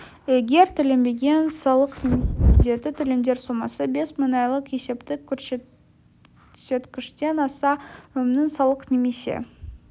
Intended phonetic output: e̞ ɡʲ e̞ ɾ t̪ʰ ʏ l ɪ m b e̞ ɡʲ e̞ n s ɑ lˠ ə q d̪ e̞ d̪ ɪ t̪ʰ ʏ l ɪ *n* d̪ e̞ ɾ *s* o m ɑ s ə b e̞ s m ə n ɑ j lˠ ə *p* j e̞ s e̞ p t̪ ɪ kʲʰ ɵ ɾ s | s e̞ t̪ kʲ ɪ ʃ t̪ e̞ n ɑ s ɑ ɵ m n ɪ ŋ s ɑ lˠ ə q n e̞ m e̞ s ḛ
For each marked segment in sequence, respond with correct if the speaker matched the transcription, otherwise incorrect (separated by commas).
incorrect, correct, incorrect